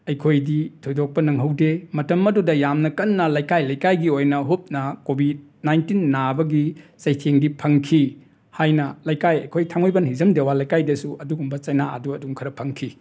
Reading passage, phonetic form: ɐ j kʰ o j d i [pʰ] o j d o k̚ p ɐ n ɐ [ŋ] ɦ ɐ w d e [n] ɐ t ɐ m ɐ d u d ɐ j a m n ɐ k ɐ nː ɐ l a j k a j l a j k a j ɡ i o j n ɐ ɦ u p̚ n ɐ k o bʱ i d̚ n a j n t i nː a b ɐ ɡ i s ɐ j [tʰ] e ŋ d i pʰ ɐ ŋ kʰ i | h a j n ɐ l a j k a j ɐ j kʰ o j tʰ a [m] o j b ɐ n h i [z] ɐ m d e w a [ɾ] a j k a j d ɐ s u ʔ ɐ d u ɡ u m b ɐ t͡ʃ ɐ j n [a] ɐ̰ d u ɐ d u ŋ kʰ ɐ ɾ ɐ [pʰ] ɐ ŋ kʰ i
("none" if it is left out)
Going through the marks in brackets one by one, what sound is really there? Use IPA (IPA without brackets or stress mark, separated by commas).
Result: tʰ, ŋ, m, tʰ, ŋ, z, l, a, pʰ